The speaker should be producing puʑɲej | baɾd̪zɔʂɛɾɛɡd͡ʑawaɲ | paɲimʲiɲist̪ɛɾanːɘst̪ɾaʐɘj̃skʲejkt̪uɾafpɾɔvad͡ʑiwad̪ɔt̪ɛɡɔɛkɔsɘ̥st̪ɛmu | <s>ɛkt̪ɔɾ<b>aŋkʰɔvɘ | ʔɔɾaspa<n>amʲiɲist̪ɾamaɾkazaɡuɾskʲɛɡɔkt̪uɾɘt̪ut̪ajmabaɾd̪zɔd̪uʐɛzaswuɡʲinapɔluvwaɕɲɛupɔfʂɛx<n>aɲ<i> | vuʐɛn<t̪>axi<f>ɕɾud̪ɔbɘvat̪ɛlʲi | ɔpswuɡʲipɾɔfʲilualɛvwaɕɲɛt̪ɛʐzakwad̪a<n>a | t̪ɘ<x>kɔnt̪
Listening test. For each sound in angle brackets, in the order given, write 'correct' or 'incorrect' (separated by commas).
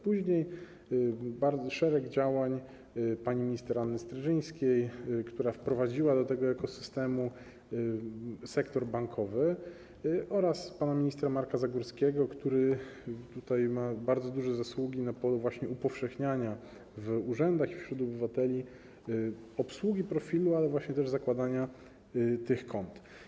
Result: correct, correct, correct, incorrect, incorrect, incorrect, correct, incorrect, correct